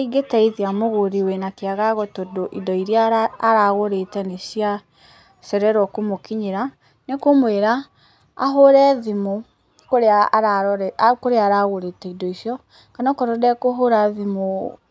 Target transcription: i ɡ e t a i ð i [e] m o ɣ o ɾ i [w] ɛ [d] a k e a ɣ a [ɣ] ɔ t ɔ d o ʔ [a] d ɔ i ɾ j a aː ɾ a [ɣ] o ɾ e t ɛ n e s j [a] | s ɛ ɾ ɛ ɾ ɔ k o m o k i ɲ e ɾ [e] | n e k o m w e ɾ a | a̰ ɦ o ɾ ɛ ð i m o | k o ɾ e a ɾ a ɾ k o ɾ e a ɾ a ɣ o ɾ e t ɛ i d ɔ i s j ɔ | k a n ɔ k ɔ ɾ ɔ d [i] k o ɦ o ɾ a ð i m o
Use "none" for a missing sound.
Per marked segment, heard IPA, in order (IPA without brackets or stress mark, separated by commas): a, w, n, ɣ, i, ɣ, a, a, ɛ